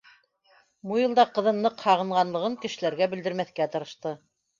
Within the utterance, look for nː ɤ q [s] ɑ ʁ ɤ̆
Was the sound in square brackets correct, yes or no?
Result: no